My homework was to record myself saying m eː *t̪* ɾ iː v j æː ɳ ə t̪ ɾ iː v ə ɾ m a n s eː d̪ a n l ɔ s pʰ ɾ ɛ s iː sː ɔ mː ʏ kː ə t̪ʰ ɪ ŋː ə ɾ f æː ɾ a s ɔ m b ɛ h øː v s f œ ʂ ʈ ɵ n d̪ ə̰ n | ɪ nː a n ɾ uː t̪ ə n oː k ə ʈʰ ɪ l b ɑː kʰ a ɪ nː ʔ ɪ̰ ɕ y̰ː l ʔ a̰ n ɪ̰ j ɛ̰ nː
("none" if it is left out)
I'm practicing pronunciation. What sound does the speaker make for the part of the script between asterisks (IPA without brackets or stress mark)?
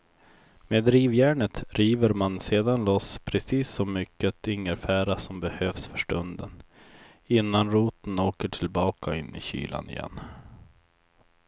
d̪